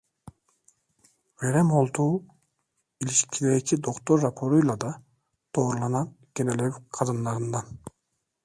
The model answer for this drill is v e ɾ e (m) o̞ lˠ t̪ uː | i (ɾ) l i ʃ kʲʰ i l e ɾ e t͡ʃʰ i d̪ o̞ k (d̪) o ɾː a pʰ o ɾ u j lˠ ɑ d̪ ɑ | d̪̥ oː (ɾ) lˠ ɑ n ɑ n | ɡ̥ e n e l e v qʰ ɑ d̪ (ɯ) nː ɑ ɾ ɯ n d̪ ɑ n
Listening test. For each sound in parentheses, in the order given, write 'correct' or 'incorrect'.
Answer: correct, incorrect, incorrect, correct, correct

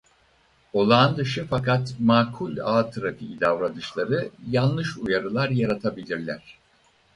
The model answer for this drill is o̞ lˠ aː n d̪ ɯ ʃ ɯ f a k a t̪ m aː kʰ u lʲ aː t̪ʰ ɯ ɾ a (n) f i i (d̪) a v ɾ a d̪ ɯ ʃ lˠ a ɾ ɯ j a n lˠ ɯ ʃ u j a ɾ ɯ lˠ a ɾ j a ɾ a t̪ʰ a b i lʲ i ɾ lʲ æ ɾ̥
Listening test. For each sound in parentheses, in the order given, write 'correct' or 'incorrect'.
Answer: incorrect, correct

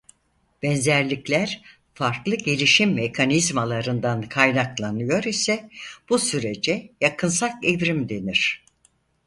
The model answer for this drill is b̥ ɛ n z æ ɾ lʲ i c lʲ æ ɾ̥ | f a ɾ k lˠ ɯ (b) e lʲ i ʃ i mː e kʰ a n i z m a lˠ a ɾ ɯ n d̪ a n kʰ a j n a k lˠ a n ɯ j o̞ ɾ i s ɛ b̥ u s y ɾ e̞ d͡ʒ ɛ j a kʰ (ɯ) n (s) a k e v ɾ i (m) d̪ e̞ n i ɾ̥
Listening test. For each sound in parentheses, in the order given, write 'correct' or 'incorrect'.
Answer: incorrect, correct, correct, correct

